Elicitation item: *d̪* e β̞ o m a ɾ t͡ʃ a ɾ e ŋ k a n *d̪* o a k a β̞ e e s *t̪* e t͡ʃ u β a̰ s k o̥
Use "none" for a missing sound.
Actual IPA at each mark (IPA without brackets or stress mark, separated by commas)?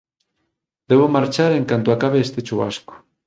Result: d̪, t̪, t̪